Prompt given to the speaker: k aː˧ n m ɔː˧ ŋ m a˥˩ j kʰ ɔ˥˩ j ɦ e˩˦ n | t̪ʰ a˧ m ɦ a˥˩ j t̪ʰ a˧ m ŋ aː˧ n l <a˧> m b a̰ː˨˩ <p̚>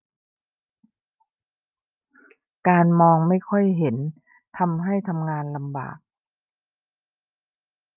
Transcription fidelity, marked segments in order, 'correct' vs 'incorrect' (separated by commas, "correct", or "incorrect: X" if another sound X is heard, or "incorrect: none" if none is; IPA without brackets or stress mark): correct, incorrect: k̚